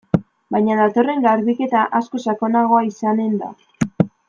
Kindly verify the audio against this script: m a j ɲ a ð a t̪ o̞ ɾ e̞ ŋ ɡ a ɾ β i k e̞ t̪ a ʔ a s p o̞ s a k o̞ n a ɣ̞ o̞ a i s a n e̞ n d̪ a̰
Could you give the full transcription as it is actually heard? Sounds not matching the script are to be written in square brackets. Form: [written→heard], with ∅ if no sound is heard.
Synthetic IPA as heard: [m→b] a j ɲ a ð a t̪ o̞ [ɾ→r] e̞ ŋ ɡ a ɾ β i k e̞ t̪ a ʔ a s [p→k] o̞ s a k o̞ n a ɣ̞ o̞ a i s a n e̞ n d̪ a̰

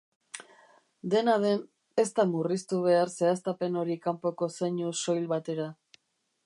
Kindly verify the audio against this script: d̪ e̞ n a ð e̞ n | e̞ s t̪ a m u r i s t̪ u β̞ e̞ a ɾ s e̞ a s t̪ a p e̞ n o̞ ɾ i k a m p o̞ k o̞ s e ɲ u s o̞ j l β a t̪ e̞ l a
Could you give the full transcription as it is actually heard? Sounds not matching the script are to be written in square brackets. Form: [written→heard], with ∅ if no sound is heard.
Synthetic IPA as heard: d̪ e̞ n a ð e̞ n | e̞ s t̪ a m u r i s t̪ u β̞ e̞ a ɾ s e̞ a s t̪ a p e̞ n o̞ ɾ i k a m p o̞ k o̞ s e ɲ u s o̞ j l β a t̪ e̞ [l→ɾ] a

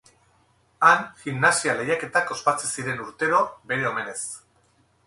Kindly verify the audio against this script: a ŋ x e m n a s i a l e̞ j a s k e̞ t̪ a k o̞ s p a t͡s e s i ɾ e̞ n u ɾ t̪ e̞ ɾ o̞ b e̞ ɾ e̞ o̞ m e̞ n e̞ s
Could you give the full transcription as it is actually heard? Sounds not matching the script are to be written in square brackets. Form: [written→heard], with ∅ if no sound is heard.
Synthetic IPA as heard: a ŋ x [e→i] m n a s i a l e̞ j a [s→∅] k e̞ t̪ a k o̞ s p a t͡s e s i ɾ e̞ n u ɾ t̪ e̞ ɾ o̞ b e̞ ɾ e̞ o̞ m e̞ n e̞ s

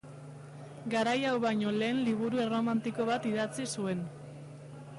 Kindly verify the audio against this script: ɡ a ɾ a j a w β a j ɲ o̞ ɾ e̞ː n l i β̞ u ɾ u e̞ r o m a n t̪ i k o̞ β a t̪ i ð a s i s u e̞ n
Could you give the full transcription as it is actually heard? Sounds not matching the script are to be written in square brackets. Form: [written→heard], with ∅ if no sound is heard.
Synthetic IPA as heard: ɡ a ɾ a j a w β a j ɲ o̞ [ɾ→l] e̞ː n l i β̞ u ɾ u e̞ r o m a n t̪ i k o̞ β a t̪ i ð a [s→t͡s] i s u e̞ n

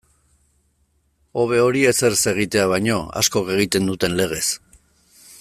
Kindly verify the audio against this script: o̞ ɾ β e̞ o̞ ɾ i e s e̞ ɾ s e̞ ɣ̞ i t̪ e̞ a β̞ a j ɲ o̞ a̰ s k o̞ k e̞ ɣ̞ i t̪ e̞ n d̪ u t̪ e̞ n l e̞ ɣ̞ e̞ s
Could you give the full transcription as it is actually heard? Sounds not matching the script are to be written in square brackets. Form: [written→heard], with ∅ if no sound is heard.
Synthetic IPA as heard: o̞ [ɾ→∅] β e̞ o̞ ɾ i e s e̞ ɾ s e̞ ɣ̞ i t̪ e̞ a β̞ a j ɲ o̞ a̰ s k o̞ k e̞ ɣ̞ i t̪ e̞ n d̪ u t̪ e̞ n l e̞ ɣ̞ e̞ s

